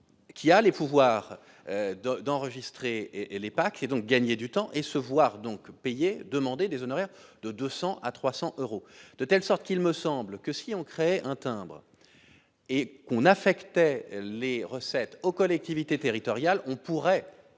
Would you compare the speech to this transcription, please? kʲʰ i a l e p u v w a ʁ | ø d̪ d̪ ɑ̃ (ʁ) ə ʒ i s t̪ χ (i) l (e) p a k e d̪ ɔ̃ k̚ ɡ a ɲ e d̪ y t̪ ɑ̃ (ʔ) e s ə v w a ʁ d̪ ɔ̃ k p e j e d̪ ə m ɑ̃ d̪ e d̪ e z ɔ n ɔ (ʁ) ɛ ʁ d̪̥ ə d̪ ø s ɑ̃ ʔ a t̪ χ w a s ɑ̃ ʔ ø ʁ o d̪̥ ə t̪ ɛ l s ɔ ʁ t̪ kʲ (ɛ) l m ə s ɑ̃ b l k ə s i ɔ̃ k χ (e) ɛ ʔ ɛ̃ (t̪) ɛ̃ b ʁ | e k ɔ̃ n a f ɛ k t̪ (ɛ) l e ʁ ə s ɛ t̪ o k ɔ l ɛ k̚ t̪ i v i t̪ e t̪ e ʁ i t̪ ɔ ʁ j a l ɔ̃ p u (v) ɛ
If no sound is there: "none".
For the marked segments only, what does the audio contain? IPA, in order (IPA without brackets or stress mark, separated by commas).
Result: ʁ, e, e, ʔ, ʁ, i, e, t̪, ɛ, ʁ